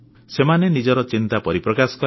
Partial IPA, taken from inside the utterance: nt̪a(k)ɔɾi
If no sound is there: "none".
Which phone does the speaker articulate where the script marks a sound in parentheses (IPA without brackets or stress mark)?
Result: p